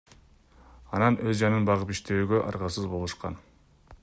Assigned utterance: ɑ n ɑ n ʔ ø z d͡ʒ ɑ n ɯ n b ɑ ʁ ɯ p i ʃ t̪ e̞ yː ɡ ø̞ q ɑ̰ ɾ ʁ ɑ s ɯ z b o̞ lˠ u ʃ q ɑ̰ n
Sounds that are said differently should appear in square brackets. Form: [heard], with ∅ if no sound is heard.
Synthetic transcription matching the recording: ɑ n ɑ n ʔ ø z d͡ʒ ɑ n ɯ n b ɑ ʁ ɯ p i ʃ t̪ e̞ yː ɡ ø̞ [ʔ] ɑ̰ ɾ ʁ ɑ s ɯ z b o̞ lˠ u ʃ q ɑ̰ n